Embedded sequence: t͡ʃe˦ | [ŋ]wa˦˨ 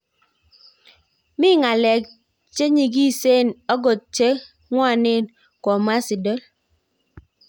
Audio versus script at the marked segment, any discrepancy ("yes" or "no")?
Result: no